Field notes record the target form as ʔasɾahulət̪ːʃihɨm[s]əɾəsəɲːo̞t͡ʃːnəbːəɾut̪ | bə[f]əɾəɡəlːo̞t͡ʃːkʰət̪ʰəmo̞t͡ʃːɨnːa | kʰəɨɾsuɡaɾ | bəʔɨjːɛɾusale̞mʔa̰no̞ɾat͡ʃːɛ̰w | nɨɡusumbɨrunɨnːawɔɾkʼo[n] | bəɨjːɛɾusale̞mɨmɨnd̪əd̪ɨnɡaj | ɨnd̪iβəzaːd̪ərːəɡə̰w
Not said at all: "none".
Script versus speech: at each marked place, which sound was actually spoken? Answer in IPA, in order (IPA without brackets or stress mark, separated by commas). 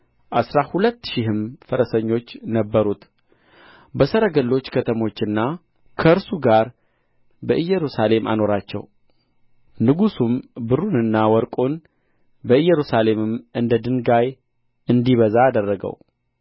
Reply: f, s, n